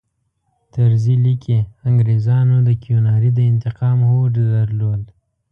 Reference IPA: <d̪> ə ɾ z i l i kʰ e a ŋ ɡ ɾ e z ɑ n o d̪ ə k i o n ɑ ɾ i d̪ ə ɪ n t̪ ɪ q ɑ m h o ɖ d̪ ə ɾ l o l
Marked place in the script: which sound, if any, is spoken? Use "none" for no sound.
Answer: t̪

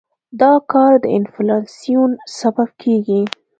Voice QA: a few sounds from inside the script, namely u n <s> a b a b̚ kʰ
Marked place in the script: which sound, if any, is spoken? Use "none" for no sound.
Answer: s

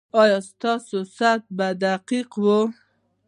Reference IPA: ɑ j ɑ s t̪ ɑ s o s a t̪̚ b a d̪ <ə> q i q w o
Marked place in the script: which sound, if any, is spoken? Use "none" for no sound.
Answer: a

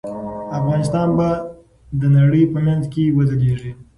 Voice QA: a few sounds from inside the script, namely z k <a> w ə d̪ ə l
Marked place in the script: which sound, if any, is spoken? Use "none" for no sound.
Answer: e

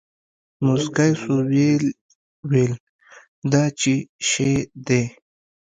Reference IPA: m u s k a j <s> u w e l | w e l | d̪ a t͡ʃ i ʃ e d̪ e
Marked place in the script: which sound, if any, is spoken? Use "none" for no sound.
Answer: s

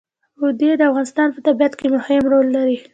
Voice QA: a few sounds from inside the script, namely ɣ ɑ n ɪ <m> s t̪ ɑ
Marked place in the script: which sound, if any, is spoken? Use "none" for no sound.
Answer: none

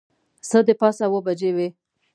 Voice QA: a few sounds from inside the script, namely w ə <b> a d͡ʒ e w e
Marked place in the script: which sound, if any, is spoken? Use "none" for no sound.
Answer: b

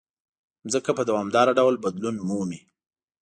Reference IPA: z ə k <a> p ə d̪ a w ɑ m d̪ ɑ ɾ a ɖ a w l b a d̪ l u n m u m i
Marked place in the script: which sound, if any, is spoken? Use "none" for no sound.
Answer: a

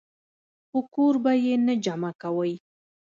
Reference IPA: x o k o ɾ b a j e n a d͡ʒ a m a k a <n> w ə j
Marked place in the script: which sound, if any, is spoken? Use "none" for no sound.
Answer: none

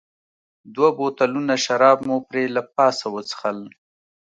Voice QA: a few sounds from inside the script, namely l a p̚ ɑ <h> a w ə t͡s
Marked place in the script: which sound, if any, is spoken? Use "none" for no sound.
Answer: s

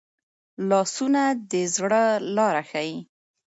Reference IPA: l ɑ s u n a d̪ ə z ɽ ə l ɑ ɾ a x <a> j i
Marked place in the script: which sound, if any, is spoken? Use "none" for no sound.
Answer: a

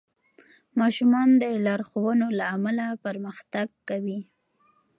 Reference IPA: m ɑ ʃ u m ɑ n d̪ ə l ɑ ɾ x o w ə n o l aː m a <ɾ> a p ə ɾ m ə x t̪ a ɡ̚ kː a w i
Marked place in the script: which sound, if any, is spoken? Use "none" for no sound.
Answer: l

